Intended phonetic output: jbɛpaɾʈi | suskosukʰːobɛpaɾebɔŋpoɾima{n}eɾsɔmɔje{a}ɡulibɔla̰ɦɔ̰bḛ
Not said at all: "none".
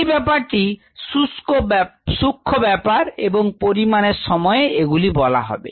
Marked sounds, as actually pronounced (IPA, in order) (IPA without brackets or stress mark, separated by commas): n, e